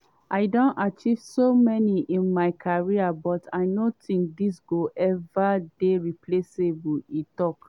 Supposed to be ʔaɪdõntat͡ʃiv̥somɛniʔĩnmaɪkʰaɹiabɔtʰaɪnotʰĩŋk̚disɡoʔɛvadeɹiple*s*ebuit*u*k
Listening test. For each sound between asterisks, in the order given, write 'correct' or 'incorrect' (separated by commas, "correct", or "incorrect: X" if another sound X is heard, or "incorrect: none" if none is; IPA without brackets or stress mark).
correct, incorrect: ɔ